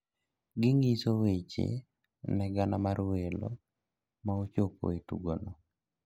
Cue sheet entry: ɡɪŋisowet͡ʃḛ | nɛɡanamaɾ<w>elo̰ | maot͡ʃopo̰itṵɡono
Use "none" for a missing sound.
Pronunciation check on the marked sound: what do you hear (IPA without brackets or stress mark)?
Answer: w